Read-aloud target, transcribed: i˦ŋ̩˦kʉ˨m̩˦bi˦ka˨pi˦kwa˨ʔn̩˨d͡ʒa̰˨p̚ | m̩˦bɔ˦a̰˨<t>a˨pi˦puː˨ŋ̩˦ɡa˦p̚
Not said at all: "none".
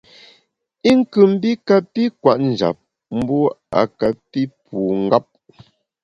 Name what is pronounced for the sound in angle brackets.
k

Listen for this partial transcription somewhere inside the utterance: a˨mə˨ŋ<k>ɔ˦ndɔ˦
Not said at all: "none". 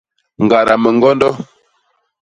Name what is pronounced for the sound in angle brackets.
ɡ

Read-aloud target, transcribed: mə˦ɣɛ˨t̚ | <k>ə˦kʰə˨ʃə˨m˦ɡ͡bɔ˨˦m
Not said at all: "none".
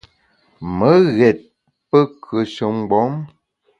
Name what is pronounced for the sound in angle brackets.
p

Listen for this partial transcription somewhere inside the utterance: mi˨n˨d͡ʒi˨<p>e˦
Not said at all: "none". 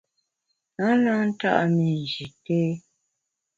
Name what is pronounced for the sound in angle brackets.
t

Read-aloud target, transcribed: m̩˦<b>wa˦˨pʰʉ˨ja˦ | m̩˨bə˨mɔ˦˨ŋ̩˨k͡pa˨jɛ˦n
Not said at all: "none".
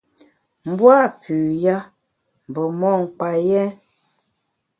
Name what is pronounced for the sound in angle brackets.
b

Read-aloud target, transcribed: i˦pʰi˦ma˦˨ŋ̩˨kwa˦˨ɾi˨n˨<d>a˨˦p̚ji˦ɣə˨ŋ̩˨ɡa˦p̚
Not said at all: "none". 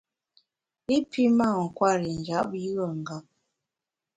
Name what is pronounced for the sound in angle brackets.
d͡ʒ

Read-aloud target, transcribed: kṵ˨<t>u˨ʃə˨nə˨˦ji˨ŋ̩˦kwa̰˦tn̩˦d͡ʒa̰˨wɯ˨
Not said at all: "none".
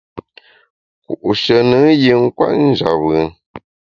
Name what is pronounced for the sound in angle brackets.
ʔ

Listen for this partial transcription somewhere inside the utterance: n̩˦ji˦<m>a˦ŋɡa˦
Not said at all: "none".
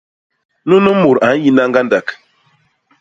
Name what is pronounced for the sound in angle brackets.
n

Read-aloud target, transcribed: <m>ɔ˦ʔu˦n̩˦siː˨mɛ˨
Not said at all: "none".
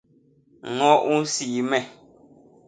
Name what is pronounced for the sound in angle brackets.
ŋ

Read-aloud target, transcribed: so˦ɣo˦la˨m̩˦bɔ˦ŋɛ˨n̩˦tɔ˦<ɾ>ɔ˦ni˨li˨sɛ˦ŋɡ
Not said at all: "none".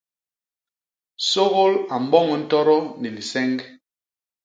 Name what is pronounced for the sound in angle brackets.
ɾ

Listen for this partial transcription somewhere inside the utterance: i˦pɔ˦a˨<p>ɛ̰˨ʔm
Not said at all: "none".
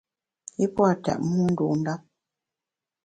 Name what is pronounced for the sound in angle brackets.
t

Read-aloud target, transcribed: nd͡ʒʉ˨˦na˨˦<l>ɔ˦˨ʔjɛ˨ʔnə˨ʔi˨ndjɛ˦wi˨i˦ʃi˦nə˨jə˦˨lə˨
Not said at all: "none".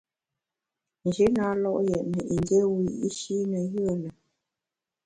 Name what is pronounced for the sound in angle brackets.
l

